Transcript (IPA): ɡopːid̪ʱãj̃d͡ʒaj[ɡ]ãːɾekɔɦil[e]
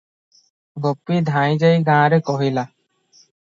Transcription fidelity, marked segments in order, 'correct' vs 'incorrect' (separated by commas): correct, incorrect